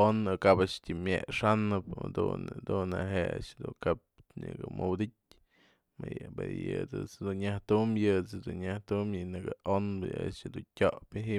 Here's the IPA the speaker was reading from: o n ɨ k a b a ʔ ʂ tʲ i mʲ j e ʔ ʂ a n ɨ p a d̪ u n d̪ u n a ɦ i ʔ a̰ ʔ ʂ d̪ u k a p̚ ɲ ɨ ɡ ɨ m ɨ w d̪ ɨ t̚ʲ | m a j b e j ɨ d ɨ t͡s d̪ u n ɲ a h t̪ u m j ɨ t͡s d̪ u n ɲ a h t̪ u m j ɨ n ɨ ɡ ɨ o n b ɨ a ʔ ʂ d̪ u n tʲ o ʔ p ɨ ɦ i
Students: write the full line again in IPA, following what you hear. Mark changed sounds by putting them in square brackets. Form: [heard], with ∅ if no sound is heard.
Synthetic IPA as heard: o n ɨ k a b a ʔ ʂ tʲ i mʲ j e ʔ ʂ a n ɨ p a d̪ u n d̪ u n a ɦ [e] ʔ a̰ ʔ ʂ d̪ u k a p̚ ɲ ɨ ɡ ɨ m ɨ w d̪ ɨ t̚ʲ | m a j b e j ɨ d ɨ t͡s d̪ u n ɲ a h t̪ u m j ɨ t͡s d̪ u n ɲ a h t̪ u m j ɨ n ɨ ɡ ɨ o n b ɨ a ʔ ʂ d̪ u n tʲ o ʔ p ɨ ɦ i